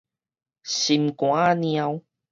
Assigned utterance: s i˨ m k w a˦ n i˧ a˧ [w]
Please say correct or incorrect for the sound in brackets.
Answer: correct